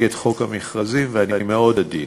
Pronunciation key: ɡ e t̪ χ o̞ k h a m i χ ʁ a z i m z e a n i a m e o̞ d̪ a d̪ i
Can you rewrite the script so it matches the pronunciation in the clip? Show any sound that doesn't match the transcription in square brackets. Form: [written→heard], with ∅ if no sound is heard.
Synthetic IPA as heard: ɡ e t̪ χ o̞ k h a m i χ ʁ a z i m [z→v] e a n i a m e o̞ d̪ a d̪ i